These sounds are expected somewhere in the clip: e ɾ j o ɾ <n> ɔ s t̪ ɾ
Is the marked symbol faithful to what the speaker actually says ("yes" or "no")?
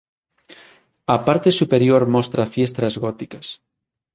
no